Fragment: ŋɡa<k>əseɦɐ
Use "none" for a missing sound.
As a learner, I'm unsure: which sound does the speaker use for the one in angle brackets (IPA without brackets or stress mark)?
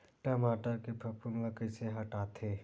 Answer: k